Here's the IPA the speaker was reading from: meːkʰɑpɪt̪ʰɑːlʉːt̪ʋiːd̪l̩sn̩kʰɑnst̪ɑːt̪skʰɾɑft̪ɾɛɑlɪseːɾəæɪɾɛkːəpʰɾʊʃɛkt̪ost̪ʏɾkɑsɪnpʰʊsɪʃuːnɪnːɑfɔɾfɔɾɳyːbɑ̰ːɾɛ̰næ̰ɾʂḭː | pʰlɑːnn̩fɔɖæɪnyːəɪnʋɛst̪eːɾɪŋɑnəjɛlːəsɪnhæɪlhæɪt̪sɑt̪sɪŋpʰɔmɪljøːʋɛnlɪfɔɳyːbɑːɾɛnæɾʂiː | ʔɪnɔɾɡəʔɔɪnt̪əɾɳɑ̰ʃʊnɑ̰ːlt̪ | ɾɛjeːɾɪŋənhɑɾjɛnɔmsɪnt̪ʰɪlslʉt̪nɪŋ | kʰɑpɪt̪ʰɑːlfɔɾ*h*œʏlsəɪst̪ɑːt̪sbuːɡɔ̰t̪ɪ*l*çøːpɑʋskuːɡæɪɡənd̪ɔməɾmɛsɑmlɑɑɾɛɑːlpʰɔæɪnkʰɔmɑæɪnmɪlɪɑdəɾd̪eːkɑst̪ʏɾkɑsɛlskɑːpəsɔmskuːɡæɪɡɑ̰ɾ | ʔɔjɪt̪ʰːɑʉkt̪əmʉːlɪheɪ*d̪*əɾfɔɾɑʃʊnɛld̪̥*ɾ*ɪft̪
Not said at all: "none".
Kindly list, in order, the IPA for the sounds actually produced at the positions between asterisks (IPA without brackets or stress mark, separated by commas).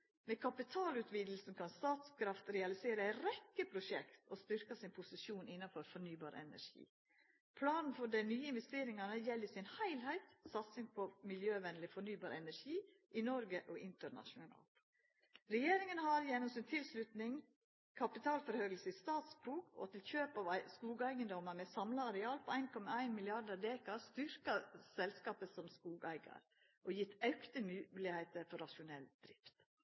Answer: h, l, t̪, ɾ